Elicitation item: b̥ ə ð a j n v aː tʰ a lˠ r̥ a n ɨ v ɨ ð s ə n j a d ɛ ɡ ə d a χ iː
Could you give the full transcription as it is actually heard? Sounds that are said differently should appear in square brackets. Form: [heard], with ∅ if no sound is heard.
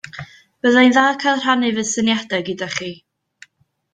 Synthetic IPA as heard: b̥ ə ð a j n [ð] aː [kʰ] a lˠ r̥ a n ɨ v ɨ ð s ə n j a d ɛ ɡ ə d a χ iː